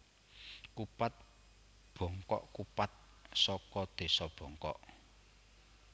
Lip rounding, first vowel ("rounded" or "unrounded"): rounded